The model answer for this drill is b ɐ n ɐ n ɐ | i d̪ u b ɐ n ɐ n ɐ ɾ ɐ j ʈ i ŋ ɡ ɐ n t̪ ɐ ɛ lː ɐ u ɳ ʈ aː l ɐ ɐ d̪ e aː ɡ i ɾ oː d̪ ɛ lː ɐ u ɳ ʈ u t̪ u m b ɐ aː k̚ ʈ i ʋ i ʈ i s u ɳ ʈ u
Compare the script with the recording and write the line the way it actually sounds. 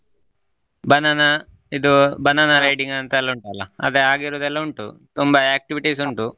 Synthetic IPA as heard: b ɐ n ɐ n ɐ | i d̪ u b ɐ n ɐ n ɐ ɾ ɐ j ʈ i ŋ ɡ ɐ n t̪ ɐ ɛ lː ɐ u ɳ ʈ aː l ɐ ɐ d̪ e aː ɡ i ɾ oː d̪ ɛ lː ɐ u ɳ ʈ u t̪ u m b ɐ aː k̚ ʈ i ʋ i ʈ i s u ɳ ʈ u